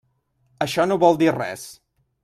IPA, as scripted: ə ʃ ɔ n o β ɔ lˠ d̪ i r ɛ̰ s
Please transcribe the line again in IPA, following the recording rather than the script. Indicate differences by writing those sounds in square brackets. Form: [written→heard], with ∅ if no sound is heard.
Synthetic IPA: ə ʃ ɔ n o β ɔ lˠ d̪ i r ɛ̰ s